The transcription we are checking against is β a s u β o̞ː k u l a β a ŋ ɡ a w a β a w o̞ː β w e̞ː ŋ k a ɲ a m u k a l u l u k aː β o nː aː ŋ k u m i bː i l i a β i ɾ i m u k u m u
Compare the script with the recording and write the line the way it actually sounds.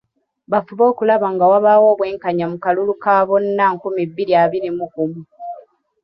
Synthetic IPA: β a f u β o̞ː k u l a β a ŋ ɡ a w a β a w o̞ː β w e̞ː ŋ k a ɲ a m u k a l u l u k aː β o nː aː ŋ k u m i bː i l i a β i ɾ i m u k u m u